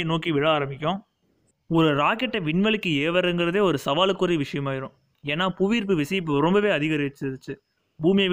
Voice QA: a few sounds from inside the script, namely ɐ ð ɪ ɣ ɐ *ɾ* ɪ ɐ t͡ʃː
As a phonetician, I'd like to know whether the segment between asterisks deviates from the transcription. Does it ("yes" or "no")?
no